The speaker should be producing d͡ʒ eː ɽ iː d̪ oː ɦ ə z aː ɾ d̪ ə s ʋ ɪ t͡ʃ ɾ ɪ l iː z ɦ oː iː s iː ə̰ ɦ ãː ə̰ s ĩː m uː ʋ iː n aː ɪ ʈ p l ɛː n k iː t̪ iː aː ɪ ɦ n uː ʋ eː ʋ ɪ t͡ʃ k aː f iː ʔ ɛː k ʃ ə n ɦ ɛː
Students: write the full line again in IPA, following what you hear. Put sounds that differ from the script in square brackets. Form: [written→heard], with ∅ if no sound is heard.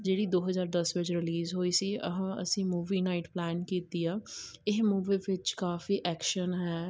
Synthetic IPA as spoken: d͡ʒ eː ɽ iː d̪ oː ɦ ə z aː ɾ d̪ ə s ʋ ɪ t͡ʃ ɾ ɪ l iː z ɦ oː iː s iː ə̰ ɦ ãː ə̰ s ĩː m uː ʋ iː n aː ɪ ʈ p l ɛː n k iː t̪ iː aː ɪ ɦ [n→m] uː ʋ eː ʋ ɪ t͡ʃ k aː f iː ʔ ɛː k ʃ ə n ɦ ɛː